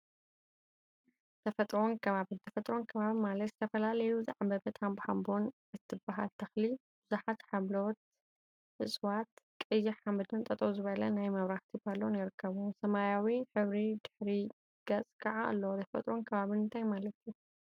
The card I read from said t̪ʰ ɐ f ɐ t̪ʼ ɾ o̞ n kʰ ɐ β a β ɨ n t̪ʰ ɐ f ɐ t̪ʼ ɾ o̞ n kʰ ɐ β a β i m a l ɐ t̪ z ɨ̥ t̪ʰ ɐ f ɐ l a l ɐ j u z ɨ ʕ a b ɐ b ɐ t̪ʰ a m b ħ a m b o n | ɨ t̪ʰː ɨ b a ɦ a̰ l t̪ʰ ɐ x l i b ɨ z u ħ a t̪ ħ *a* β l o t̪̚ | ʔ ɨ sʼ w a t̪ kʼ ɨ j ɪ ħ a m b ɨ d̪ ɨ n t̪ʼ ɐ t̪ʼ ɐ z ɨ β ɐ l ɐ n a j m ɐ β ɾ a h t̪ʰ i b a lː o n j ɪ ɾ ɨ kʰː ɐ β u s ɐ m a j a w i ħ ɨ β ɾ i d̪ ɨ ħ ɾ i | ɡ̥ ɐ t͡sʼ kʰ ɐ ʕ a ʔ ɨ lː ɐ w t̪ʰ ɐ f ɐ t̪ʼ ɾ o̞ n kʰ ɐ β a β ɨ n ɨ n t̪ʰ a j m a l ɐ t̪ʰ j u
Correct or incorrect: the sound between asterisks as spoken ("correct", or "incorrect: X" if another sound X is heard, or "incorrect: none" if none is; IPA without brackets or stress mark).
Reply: correct